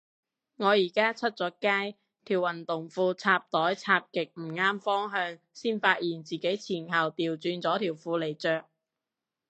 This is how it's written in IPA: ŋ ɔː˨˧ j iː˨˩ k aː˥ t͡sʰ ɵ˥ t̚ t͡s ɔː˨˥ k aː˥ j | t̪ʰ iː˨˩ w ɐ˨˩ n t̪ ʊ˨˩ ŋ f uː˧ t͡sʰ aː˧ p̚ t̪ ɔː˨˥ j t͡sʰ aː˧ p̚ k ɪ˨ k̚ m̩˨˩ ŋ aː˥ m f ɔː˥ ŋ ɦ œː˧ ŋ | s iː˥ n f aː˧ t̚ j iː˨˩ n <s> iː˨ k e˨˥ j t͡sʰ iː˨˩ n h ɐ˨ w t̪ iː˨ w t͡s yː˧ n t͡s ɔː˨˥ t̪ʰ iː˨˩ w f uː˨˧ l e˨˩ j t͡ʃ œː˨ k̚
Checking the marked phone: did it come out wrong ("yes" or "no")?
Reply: yes